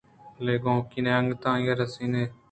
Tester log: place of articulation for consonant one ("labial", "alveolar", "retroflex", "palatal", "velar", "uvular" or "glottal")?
alveolar